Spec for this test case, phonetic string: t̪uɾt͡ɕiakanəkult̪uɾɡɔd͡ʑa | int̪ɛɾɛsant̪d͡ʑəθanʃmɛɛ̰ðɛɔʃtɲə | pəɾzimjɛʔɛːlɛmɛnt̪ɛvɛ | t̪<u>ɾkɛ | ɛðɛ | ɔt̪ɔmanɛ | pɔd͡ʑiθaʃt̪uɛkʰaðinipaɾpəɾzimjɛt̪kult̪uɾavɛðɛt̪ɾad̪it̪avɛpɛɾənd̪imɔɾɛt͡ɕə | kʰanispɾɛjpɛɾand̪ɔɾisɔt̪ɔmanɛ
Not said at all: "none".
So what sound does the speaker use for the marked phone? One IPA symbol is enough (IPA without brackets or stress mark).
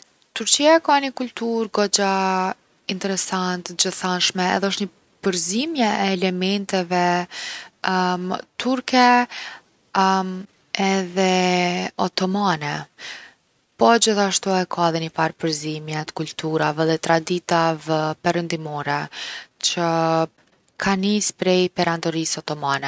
u